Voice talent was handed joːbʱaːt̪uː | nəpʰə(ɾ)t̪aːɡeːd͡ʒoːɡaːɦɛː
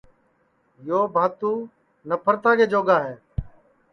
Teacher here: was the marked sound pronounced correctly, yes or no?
yes